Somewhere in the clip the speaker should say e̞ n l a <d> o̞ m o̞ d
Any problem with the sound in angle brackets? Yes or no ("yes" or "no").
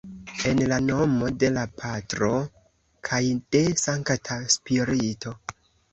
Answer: yes